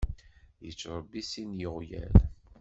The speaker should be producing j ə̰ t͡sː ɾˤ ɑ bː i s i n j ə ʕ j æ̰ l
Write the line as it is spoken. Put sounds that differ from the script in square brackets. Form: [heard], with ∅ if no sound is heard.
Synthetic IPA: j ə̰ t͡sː ɾˤ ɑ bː i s i n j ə [ʁ] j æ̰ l